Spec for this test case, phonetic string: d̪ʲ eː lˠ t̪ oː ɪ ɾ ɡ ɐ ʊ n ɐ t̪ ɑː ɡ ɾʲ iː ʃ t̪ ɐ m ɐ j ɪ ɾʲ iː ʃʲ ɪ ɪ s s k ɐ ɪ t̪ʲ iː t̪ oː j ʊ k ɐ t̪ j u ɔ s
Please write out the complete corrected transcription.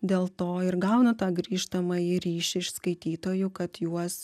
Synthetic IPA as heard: d̪ʲ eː lˠ t̪ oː ɪ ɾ ɡ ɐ ʊ n ɐ t̪ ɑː ɡ ɾʲ iː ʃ t̪ ɐ m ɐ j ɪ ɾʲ iː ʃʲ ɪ ɪ ʃ s k ɐ ɪ t̪ʲ iː t̪ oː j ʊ k ɐ t̪ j u ɔ s